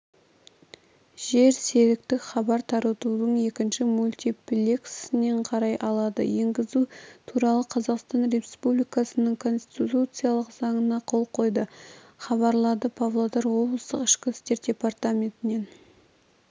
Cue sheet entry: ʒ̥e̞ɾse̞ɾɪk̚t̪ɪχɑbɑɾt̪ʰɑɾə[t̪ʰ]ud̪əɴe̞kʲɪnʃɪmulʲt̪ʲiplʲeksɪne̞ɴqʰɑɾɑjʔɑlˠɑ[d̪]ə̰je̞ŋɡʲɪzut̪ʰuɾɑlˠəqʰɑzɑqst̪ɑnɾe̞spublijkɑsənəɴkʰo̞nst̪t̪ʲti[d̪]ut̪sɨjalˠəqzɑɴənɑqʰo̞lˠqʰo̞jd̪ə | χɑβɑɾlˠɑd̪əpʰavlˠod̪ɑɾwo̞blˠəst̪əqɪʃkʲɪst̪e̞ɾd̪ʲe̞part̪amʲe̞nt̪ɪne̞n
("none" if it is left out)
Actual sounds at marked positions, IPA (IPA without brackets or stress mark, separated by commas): t̪, d̪, t̪